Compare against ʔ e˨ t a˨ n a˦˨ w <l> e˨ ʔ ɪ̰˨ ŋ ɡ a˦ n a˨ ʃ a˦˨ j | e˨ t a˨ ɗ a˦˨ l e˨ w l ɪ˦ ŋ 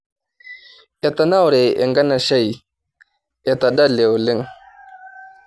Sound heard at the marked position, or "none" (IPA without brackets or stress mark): ɾ